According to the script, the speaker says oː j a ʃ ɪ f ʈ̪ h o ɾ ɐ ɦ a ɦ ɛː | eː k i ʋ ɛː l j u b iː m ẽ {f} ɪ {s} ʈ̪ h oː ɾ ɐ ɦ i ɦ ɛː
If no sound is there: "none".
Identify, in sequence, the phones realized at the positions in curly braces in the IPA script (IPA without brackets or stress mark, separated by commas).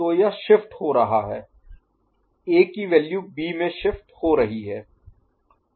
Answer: ʃ, f